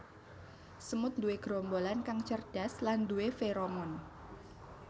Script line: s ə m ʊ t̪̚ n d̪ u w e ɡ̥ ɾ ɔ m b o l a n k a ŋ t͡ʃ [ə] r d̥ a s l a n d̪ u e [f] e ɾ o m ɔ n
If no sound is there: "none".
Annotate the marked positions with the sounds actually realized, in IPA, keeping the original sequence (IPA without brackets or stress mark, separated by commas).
ə, f